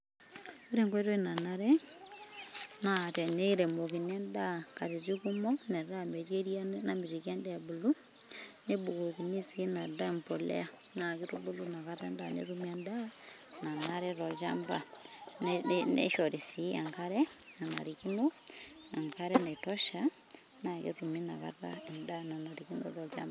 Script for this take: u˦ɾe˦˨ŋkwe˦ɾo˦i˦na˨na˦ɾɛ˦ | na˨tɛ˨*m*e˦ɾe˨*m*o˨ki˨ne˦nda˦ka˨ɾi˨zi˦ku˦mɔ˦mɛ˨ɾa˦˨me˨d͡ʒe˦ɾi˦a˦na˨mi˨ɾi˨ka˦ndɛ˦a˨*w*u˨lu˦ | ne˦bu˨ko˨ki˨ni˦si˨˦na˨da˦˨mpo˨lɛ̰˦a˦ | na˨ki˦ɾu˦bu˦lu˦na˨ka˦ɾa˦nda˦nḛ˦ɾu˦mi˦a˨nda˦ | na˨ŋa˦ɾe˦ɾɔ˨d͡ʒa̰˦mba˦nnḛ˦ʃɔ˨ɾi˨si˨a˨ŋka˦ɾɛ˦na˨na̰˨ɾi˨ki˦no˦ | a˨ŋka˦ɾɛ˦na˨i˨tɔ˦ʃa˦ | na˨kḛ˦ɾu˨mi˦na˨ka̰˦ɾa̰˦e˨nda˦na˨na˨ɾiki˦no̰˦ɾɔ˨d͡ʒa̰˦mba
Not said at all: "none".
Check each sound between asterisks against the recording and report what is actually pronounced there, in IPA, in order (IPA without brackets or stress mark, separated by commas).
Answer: n, m, b